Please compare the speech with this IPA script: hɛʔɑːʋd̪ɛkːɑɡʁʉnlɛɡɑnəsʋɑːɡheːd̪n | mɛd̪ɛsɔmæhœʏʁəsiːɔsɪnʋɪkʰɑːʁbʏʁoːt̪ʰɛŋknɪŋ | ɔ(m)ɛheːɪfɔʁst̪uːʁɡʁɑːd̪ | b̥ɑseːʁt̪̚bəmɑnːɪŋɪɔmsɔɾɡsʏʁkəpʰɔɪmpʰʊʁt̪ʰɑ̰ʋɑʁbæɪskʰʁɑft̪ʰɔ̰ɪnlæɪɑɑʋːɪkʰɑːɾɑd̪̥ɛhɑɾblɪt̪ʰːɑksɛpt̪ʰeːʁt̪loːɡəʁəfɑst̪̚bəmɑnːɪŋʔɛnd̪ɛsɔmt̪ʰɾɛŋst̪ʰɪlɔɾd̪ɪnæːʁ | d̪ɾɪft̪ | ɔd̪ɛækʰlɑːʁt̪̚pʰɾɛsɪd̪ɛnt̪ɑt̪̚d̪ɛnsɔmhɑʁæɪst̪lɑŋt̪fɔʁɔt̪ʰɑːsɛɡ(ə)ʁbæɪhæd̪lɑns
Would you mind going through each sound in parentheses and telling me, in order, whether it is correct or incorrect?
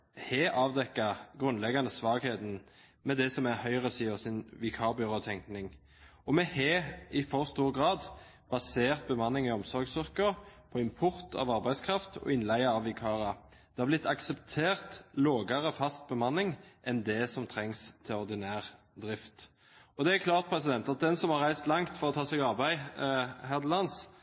correct, incorrect

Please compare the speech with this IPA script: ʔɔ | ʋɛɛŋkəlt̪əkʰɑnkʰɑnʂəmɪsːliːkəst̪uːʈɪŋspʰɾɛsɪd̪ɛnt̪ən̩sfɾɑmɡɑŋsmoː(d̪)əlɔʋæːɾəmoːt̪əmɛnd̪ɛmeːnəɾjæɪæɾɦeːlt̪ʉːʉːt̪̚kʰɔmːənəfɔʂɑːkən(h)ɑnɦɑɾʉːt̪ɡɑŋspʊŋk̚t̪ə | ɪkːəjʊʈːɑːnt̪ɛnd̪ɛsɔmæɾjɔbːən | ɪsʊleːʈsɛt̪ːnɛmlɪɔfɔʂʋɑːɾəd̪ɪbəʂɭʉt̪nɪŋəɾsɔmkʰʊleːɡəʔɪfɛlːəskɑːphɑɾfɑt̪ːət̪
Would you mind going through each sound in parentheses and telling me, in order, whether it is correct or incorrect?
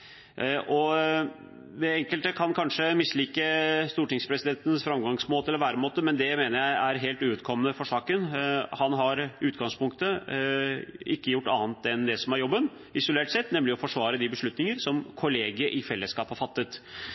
incorrect, correct

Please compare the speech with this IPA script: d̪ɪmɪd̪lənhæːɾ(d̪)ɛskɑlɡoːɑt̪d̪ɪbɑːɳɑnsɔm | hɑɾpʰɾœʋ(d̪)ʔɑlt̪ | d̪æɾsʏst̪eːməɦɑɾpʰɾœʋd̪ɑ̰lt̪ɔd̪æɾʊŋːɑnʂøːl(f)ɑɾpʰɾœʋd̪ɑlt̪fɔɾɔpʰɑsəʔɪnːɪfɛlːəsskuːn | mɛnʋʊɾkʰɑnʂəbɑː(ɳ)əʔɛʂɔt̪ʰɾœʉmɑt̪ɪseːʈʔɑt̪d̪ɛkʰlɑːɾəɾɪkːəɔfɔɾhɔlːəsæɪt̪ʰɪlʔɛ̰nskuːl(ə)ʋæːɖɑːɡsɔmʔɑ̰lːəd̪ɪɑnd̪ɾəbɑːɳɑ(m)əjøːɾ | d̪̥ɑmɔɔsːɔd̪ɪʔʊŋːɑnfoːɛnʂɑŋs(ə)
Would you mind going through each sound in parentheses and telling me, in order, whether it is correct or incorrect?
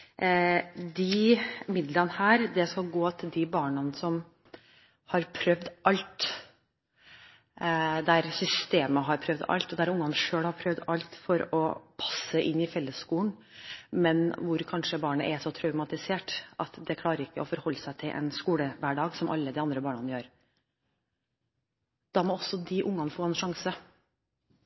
correct, correct, incorrect, correct, correct, incorrect, correct

